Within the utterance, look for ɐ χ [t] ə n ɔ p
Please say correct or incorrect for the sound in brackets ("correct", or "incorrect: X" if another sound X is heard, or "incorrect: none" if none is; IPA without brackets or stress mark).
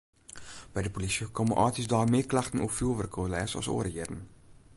correct